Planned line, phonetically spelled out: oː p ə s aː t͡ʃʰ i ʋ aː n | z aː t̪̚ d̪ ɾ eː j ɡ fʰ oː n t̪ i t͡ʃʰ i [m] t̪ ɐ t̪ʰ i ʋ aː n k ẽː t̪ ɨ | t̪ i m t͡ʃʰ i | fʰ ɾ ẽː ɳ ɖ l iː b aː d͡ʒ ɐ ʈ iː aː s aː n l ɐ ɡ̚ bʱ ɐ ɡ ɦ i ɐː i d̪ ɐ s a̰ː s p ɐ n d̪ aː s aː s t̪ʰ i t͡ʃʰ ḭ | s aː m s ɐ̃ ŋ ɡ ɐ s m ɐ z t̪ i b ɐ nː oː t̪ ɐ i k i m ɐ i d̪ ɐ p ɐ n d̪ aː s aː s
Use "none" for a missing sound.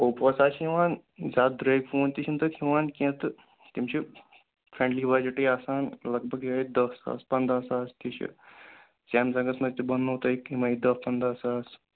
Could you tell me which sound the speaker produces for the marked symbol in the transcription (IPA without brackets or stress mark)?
n